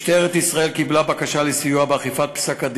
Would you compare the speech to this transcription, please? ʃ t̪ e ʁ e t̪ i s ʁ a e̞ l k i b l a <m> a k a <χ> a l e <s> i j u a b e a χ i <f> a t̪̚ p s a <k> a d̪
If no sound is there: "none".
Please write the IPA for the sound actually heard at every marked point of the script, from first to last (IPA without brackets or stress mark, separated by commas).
b, ʃ, s, f, k